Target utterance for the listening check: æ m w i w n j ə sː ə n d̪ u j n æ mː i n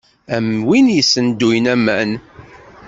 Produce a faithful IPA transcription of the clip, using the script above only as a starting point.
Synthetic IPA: æ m w i n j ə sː ə n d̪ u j n æ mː æ n